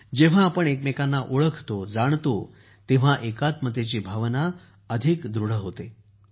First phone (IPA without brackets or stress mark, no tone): d͡ʑ